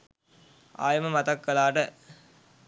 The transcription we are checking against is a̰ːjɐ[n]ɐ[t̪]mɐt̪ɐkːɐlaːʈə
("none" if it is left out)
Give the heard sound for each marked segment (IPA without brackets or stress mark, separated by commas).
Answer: m, none